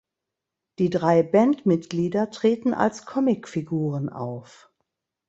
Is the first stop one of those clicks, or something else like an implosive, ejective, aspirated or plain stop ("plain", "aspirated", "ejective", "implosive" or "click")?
plain